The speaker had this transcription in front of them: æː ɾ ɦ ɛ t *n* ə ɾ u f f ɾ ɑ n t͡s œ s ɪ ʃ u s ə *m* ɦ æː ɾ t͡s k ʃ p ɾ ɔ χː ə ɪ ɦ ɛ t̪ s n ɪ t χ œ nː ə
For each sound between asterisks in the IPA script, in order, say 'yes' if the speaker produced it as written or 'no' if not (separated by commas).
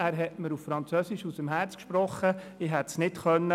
no, yes